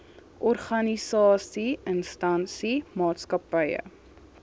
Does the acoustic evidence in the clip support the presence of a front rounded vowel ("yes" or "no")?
no